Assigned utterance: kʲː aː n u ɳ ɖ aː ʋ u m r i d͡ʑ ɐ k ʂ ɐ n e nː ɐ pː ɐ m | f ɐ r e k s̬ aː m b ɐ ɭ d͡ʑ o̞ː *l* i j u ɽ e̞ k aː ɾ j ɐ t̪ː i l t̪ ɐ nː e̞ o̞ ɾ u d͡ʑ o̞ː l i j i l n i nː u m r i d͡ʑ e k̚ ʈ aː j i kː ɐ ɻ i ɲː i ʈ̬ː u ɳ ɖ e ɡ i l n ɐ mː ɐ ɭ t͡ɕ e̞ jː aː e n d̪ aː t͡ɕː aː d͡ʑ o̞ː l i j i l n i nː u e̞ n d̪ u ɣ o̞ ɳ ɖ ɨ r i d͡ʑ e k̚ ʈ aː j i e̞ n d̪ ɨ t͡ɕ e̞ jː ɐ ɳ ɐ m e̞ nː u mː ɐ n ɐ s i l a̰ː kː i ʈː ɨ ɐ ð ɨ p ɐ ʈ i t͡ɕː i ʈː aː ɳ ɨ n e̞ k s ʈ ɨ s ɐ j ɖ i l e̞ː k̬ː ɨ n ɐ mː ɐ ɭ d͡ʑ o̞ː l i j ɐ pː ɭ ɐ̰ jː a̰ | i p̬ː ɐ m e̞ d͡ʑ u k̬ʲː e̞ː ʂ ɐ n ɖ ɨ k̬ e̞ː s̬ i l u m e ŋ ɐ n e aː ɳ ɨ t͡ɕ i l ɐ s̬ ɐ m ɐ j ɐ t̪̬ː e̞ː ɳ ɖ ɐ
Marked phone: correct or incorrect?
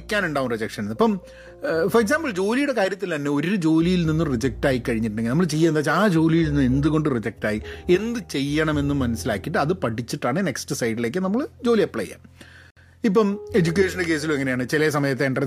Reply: correct